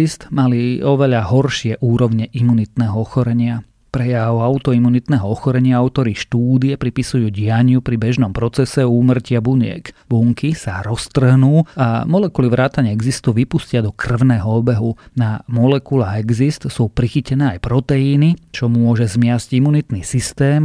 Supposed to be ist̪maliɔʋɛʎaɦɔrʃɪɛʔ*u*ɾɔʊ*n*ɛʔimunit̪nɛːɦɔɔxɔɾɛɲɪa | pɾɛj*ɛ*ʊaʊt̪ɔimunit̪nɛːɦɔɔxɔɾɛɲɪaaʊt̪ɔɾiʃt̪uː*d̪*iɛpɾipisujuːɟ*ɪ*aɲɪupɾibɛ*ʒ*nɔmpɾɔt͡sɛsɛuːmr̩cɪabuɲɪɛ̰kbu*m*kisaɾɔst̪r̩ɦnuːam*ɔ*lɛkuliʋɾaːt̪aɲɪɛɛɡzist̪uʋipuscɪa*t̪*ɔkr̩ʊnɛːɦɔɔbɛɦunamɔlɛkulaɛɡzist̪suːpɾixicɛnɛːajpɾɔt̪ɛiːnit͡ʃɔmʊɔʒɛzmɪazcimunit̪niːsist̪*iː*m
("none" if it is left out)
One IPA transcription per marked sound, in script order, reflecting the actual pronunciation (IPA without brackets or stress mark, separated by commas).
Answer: uː, ɲ, a, d̪, ɪ, ʒ, ŋ, ɔ, d̪, ɛː